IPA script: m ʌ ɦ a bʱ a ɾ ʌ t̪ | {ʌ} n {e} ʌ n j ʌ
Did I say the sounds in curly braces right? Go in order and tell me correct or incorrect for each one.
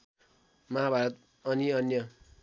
correct, incorrect: i

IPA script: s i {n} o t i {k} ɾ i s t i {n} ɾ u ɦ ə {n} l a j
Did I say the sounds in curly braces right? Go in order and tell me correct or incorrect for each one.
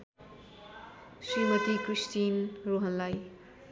incorrect: m, correct, correct, correct

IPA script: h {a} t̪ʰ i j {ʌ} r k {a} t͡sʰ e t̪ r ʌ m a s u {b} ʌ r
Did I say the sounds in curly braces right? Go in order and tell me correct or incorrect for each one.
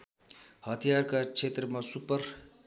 incorrect: ʌ, incorrect: a, correct, incorrect: p

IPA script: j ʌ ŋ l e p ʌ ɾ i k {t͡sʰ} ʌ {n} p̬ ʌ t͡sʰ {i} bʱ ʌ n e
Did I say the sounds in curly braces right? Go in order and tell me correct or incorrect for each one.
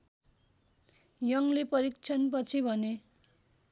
correct, correct, correct

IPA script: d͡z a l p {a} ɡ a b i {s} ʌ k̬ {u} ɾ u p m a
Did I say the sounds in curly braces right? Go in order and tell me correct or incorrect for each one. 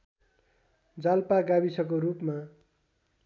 correct, correct, incorrect: o

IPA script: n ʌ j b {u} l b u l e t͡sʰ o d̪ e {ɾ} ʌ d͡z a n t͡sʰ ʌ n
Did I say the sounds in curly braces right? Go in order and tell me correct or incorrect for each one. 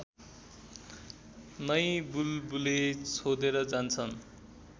correct, correct

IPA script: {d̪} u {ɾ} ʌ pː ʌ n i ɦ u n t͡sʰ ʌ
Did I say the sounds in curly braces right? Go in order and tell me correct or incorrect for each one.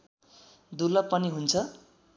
correct, incorrect: l

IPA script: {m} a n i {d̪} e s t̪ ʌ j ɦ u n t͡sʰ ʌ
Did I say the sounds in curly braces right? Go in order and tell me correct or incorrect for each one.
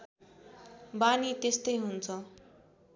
incorrect: b, incorrect: t̪

